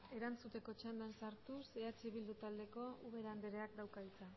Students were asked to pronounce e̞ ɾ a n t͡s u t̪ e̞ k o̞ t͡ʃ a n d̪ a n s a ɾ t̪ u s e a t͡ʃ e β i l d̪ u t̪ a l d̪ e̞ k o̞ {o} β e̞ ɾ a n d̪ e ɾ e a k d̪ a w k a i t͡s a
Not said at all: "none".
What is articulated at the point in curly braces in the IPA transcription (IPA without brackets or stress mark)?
u